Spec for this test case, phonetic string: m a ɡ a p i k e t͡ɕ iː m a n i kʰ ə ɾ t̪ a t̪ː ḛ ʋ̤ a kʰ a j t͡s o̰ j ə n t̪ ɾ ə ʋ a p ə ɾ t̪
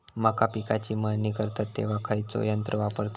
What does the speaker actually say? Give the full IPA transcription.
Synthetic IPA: m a k a p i k a t͡ɕ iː m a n i k ə ɾ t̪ a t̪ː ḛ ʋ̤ a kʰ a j t͡s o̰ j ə n t̪ ɾ ə ʋ a p ə ɾ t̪